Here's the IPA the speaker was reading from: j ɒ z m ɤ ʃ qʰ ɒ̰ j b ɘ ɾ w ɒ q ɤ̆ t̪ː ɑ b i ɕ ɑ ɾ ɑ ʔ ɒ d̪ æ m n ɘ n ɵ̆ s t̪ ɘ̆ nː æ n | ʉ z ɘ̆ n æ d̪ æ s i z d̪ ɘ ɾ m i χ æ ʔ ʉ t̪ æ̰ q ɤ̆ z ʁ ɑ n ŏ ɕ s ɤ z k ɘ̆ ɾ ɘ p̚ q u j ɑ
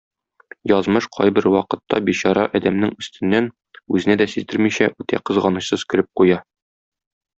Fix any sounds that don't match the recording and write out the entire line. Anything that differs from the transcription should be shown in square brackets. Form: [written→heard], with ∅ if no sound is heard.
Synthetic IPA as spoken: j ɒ z m ɤ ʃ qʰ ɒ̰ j b ɘ ɾ w ɒ q ɤ̆ t̪ː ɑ b i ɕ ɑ ɾ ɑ ʔ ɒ d̪ æ m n ɘ [n→ŋ] ɵ̆ s t̪ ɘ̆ nː æ n | ʉ z ɘ̆ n æ d̪ æ s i z d̪ ɘ ɾ m i [χ→ɕ] æ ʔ ʉ t̪ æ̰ q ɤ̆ z ʁ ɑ n [ŏ→ɤ̆] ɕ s ɤ z k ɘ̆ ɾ ɘ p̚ q u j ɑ